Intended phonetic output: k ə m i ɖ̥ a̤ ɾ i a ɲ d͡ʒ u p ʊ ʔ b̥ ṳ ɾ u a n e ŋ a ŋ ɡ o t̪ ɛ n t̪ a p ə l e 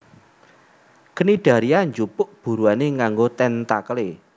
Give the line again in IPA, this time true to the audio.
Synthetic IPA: k ə n i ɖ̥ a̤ ɾ i a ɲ d͡ʒ u p ʊ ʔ b̥ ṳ ɾ u a n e ŋ a ŋ ɡ o t̪ ɛ n t̪ a k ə l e